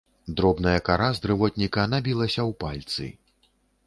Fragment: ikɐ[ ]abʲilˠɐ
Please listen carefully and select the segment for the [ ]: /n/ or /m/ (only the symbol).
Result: n